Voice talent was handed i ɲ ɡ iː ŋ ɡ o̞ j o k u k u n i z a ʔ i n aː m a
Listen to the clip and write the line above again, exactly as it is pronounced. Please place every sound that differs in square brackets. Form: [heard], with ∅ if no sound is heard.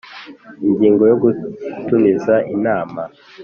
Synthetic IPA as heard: i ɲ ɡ iː ŋ ɡ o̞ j o [ɡ] u [t] u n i z a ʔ i n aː m a